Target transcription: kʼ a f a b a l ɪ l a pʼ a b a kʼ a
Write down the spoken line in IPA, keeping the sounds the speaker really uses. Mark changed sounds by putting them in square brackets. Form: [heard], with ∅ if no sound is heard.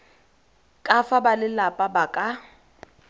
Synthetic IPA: kʼ a f a b a l ɪ l a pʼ a b a kʼ a